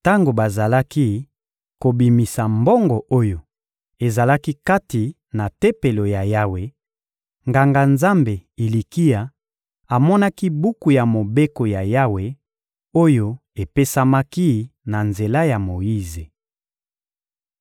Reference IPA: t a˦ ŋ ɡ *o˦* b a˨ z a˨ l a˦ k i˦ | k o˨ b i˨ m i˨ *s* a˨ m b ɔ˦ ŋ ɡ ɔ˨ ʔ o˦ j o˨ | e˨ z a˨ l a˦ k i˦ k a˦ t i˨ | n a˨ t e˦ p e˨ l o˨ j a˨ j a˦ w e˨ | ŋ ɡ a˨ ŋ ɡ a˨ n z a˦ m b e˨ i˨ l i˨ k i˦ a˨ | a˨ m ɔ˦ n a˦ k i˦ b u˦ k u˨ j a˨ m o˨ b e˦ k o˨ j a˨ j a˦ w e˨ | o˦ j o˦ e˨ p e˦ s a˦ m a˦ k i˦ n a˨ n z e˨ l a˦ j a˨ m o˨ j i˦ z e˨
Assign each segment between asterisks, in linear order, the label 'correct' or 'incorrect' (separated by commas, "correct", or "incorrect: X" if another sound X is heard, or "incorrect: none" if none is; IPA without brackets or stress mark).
incorrect: o˨, correct